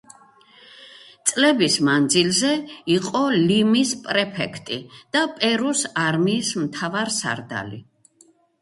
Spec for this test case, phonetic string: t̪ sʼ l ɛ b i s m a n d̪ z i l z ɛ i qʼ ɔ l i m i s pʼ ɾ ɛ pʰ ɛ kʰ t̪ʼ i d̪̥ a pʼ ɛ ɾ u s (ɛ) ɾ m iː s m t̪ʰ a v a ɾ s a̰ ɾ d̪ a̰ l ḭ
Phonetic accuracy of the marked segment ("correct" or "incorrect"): incorrect